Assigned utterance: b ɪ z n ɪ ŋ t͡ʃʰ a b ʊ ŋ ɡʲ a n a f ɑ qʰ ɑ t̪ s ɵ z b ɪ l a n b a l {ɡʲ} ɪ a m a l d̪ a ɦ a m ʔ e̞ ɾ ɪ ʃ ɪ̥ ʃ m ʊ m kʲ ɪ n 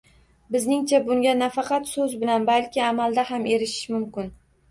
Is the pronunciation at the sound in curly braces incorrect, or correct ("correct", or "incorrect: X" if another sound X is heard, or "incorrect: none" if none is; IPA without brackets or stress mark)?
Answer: incorrect: kʲ